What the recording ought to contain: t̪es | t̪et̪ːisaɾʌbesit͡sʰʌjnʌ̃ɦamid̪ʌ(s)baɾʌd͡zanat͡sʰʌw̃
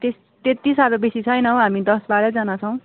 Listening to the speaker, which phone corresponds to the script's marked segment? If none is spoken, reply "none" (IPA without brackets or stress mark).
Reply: s